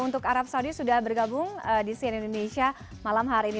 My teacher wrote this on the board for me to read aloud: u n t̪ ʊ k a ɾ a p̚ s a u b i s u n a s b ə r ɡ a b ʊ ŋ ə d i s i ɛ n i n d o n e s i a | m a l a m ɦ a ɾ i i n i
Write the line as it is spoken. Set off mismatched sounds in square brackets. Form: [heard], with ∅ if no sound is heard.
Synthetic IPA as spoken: u n t̪ ʊ k a ɾ a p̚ s a u [d] i s u [d] a [h] b ə r ɡ a b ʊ ŋ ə d i s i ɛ n i n d o n e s i a | m a l a m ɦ a ɾ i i n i